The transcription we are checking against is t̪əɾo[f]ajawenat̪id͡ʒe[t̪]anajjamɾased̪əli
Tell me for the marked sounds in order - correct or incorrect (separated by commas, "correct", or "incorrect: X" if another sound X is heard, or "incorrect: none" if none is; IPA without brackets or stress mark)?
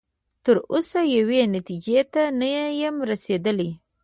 incorrect: s, correct